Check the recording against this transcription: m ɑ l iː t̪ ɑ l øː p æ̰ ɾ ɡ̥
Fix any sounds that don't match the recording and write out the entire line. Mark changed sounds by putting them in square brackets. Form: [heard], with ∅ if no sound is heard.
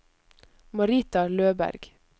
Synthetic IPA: m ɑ [ɾ] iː t̪ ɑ l øː [b] æ̰ ɾ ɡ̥